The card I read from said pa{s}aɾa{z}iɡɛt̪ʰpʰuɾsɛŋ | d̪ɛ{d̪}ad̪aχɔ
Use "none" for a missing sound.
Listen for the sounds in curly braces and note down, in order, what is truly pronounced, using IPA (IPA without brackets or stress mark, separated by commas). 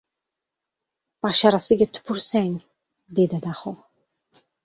ʃ, s, d̪